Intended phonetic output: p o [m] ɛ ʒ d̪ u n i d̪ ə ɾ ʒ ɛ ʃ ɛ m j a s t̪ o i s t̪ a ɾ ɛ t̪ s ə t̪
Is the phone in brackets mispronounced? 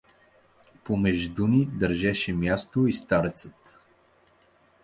no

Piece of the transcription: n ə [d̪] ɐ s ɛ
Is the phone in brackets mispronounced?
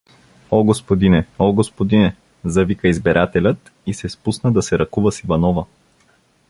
no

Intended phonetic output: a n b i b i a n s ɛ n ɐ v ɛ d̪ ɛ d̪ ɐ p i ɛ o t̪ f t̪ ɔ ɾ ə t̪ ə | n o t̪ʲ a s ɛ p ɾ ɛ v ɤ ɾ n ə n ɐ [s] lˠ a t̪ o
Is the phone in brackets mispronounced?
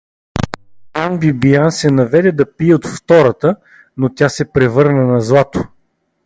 yes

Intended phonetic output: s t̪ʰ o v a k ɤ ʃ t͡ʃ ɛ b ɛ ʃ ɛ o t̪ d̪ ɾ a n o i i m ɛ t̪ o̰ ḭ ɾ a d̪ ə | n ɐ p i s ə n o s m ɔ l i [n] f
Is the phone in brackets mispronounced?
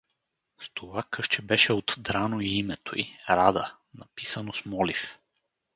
yes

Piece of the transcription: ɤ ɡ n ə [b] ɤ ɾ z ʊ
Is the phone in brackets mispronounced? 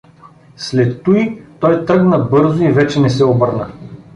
no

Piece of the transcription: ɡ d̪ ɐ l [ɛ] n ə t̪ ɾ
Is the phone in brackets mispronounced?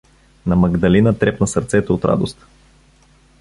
yes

